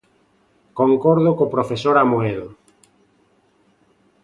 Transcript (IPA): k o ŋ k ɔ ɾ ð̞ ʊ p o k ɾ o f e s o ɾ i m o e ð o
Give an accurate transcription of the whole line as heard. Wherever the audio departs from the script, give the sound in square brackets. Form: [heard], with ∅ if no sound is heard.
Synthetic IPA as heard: k o ŋ k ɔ ɾ ð̞ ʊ [k] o [p] ɾ o f e s o ɾ [a] m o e ð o